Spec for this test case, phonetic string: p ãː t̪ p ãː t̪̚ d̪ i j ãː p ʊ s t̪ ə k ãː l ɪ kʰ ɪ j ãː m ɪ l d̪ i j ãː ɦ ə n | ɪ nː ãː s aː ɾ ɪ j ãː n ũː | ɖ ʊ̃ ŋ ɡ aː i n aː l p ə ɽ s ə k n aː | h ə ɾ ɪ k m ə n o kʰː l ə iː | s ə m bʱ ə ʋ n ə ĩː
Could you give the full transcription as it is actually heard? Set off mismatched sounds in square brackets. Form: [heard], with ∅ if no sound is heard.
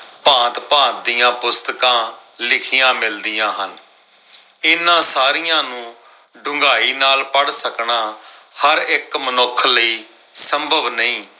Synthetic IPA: p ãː t̪ p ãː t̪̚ d̪ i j ãː p ʊ s t̪ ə k ãː l ɪ kʰ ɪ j ãː m ɪ l d̪ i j ãː ɦ ə n | ɪ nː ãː s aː ɾ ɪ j ãː n ũː | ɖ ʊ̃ ŋ ɡ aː [iː] n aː l p ə ɽ s ə k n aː | h ə ɾ ɪ k m ə n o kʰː l ə iː | s ə m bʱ ə ʋ n ə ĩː

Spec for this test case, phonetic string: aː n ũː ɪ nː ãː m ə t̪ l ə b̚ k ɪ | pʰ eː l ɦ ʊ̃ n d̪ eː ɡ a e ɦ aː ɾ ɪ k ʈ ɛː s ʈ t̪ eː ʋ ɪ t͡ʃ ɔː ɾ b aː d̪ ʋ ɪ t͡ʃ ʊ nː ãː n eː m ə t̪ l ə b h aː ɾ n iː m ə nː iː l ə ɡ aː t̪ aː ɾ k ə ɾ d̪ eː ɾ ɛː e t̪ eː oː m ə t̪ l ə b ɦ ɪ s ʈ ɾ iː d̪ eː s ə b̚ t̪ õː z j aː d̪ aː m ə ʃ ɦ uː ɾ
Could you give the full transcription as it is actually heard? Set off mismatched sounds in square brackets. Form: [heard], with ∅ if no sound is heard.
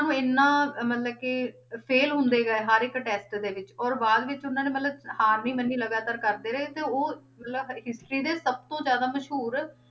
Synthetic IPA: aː n ũː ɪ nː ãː m ə t̪ l ə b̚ k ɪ | pʰ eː l ɦ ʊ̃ n d̪ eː ɡ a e ɦ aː ɾ ɪ k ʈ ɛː s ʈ [d̪] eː ʋ ɪ t͡ʃ ɔː ɾ b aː d̪ ʋ ɪ t͡ʃ ʊ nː ãː n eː m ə t̪ l ə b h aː ɾ n iː m ə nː iː l ə ɡ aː t̪ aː ɾ k ə ɾ d̪ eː ɾ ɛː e t̪ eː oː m ə t̪ l ə b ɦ ɪ s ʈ ɾ iː d̪ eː s ə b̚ t̪ õː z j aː d̪ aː m ə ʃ ɦ uː ɾ

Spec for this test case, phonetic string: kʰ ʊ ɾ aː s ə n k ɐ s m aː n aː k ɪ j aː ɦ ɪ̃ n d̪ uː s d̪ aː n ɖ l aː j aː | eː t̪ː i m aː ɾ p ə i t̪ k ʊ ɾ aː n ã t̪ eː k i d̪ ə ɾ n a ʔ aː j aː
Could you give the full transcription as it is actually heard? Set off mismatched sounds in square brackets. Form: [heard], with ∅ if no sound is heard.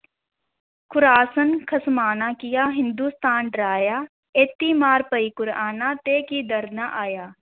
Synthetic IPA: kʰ ʊ ɾ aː s ə n [kʰ] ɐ s m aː n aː k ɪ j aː ɦ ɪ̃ n d̪ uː s [t̪] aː n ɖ [ɾ] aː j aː | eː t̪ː i m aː ɾ p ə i [∅] k ʊ ɾ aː n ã t̪ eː k i d̪ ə ɾ n a ʔ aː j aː

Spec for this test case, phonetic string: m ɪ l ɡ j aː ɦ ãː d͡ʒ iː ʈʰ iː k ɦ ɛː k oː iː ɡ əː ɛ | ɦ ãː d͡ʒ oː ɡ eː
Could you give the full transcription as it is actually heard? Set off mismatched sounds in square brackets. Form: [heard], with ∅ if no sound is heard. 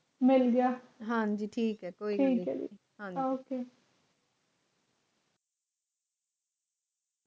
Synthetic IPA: m ɪ l ɡ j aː ɦ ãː d͡ʒ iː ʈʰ iː k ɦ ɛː k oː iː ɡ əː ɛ | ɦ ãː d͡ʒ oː [k] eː

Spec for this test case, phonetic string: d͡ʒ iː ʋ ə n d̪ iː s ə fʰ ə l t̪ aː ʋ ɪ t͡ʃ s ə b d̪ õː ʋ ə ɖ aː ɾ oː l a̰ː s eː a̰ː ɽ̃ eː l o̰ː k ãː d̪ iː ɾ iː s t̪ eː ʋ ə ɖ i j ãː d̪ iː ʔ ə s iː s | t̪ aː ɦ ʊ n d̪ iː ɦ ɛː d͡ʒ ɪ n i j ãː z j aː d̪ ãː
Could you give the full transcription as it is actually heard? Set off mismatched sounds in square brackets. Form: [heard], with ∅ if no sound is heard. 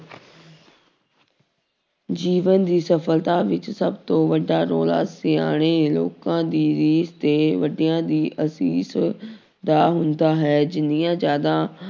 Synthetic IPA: d͡ʒ iː ʋ ə n d̪ iː s ə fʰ ə l t̪ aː ʋ ɪ t͡ʃ s ə b [t̪] õː ʋ ə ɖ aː ɾ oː l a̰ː s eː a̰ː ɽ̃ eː l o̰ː k ãː d̪ iː ɾ iː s t̪ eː ʋ ə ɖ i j ãː d̪ iː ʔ ə s iː s | [d̪] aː ɦ ʊ n d̪ [aː] ɦ ɛː d͡ʒ ɪ n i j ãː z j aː d̪ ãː

